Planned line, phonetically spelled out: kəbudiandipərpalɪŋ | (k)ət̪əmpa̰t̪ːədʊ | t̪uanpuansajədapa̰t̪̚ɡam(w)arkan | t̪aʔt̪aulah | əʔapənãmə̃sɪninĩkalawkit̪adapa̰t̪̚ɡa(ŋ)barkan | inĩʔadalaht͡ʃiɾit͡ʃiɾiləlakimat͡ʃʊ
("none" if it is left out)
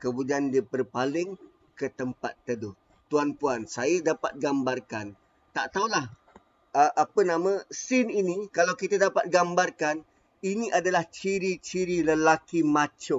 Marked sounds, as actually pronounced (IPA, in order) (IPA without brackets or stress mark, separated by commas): k, b, m